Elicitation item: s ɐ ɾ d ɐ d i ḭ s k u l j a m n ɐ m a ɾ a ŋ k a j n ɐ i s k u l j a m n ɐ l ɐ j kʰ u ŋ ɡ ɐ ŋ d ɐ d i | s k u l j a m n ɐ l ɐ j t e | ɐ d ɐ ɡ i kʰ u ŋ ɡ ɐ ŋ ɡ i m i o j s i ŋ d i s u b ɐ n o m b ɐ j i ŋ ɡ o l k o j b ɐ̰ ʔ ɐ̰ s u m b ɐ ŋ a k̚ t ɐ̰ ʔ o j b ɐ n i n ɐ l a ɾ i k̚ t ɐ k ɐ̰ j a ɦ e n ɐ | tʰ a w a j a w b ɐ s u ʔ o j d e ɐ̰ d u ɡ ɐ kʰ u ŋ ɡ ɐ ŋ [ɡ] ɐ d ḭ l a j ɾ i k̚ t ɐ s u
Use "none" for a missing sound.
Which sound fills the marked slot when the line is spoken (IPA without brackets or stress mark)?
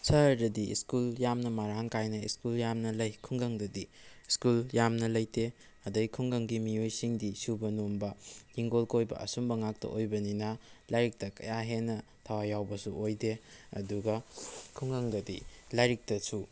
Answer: d